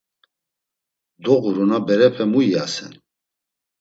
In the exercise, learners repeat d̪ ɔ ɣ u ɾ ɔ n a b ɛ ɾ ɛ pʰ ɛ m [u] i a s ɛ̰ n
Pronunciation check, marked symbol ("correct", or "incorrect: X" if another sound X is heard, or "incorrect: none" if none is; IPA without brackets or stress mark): correct